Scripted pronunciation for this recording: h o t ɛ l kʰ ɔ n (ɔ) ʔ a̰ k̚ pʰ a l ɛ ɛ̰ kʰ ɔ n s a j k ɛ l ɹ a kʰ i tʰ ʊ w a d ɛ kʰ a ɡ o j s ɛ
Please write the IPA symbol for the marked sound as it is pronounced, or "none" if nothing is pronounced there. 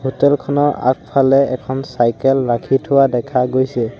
ɔ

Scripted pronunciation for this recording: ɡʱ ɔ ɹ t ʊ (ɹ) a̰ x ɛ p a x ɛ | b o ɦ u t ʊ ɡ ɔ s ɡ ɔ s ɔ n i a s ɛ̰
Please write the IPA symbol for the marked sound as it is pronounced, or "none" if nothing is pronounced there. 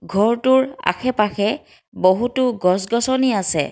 ɹ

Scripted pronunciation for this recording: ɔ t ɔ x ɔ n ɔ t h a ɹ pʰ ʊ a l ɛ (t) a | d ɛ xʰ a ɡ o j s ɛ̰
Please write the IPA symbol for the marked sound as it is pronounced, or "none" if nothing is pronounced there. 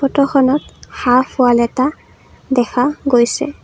t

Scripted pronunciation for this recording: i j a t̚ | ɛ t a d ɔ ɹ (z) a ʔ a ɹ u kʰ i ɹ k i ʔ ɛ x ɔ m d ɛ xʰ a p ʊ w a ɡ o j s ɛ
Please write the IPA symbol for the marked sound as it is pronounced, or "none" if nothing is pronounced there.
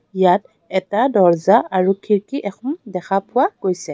z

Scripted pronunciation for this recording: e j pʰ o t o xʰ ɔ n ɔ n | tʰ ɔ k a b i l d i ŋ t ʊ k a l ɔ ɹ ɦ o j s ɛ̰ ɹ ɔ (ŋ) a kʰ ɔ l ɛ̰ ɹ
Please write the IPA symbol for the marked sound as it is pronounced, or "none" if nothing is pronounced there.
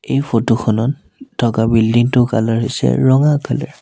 ŋ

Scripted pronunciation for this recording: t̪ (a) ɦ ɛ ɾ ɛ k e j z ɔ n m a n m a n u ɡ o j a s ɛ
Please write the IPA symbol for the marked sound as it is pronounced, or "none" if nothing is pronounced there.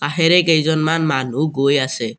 a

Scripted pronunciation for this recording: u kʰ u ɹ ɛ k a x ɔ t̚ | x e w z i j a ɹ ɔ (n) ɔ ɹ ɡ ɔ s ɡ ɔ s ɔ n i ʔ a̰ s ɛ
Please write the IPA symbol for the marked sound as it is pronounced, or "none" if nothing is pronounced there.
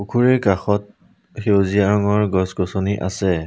ŋ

